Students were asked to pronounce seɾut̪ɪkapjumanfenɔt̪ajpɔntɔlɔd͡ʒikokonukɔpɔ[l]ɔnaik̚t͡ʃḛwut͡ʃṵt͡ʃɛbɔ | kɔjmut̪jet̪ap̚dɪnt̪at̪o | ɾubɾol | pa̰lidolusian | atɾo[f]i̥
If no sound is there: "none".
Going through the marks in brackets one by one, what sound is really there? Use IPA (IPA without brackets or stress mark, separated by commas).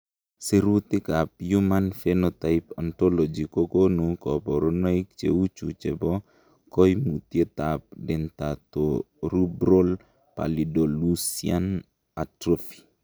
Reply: ɾ, f